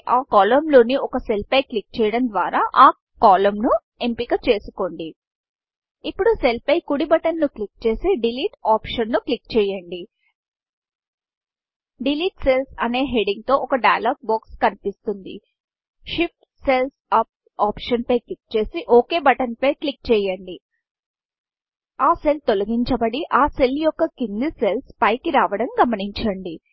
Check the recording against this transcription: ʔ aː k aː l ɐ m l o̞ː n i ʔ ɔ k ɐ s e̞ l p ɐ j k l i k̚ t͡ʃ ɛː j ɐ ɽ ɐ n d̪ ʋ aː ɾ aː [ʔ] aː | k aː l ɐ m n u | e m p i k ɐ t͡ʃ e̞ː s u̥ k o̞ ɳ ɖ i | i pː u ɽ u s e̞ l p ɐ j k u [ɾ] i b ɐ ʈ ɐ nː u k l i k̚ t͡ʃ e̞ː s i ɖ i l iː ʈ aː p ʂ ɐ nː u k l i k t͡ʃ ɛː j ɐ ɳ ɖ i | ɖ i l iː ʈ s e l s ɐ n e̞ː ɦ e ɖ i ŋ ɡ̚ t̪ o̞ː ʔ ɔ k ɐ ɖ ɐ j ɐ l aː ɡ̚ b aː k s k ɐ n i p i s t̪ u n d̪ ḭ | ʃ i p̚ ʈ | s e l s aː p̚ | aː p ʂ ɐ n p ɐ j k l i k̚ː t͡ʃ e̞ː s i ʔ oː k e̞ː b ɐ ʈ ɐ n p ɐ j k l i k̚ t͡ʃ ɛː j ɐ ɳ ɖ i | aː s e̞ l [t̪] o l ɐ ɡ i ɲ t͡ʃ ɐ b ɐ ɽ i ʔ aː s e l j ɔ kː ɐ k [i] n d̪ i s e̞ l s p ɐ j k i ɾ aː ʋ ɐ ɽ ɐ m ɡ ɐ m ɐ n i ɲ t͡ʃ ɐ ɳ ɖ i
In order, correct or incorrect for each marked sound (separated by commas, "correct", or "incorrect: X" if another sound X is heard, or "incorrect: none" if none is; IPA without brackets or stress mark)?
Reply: correct, incorrect: ɽ, correct, correct